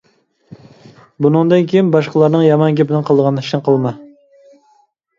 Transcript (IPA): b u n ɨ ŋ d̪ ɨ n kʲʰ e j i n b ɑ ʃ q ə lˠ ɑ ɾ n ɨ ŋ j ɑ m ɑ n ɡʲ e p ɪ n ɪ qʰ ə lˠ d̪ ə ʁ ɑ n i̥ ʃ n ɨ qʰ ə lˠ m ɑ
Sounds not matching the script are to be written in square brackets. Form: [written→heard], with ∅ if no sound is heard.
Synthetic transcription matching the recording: b u n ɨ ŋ d̪ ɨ n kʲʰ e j i n b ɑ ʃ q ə lˠ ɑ ɾ n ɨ ŋ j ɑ m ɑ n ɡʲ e p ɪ n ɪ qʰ ə lˠ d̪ ə ʁ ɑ n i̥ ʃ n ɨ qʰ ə lˠ m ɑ